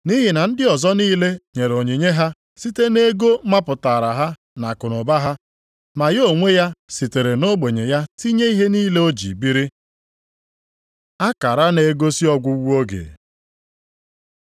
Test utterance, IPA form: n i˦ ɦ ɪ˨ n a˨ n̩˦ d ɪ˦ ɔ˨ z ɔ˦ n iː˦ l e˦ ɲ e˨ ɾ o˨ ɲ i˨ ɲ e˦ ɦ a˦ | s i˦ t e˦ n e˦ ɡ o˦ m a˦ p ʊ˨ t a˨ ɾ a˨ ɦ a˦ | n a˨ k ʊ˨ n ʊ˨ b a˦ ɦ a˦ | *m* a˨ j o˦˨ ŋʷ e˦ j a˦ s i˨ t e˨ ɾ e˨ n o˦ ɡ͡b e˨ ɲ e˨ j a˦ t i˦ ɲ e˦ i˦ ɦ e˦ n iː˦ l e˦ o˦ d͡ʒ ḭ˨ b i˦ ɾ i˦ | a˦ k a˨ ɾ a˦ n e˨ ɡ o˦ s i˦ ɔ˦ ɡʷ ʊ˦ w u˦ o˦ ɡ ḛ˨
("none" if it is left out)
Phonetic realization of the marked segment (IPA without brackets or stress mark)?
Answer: m